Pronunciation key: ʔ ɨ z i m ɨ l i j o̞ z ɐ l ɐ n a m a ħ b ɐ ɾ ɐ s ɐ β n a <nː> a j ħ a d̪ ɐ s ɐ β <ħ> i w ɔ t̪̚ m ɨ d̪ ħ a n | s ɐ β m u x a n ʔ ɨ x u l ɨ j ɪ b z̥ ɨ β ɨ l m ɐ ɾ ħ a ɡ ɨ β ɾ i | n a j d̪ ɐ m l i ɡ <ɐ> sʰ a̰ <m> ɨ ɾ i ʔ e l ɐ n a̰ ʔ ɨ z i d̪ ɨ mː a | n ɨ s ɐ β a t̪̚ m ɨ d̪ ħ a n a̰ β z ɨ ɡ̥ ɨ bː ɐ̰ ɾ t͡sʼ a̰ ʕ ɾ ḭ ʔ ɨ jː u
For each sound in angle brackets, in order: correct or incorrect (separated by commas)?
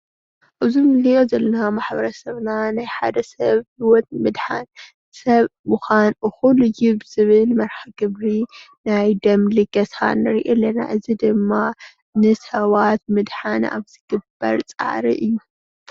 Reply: incorrect, incorrect, correct, incorrect